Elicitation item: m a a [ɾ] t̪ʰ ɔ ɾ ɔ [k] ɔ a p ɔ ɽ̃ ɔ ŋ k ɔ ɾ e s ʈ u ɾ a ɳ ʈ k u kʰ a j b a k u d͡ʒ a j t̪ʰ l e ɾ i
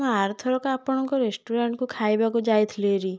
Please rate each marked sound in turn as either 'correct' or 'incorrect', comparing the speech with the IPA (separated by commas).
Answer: correct, correct